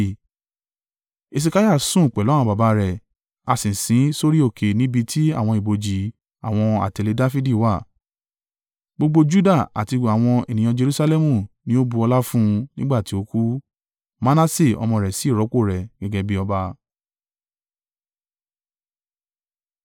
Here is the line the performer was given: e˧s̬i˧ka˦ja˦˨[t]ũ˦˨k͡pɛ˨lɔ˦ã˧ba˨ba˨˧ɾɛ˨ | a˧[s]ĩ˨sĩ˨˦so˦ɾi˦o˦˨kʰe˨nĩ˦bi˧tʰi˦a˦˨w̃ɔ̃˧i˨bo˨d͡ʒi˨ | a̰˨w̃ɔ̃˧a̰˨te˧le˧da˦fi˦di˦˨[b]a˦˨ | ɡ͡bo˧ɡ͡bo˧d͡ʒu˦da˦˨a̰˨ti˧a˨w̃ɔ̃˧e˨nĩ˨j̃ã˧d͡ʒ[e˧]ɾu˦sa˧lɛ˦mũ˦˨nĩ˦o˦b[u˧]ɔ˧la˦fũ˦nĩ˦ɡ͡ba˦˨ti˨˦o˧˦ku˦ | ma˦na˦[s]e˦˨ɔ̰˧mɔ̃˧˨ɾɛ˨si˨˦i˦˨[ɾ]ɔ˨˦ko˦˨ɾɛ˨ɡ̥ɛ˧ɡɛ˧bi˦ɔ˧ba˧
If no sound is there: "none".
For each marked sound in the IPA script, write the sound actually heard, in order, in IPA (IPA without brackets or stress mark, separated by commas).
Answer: s, s, w, e˧, u˧, s, ɾ